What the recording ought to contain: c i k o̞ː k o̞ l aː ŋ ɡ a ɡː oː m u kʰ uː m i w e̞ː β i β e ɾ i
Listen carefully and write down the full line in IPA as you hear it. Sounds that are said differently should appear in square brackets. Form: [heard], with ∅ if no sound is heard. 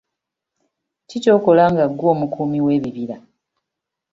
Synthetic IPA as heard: c i [c] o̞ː k o̞ l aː ŋ ɡ a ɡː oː m u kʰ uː m i w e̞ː β i β [i] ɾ [a]